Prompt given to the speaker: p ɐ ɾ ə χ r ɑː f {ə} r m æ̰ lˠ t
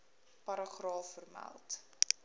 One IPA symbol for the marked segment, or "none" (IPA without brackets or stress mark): ə